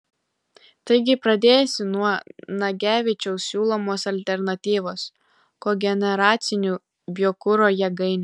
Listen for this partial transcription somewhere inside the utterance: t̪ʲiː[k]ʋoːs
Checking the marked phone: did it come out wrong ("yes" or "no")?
yes